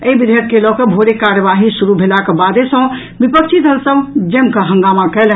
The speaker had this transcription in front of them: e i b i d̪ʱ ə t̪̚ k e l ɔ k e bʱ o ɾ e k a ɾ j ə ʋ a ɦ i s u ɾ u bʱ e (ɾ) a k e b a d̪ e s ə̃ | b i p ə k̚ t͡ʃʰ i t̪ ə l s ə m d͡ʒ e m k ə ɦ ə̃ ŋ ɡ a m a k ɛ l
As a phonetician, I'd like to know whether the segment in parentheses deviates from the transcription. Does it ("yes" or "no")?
yes